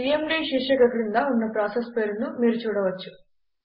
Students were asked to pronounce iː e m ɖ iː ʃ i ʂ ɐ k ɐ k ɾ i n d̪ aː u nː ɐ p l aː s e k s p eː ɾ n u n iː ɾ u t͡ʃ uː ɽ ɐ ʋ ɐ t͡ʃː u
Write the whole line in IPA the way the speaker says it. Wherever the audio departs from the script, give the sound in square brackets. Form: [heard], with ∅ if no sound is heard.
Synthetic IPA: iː e m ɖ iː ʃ i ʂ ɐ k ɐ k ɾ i n d̪ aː u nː ɐ p [ɾ] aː s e [∅] s p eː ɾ n u [m] iː ɾ u t͡ʃ uː ɽ ɐ ʋ ɐ t͡ʃː u